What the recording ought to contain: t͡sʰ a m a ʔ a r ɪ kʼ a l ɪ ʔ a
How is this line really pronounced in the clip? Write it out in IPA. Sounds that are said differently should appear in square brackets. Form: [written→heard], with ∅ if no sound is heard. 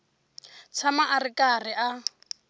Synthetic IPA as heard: t͡sʰ a m a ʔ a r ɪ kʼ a [l→r] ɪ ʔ a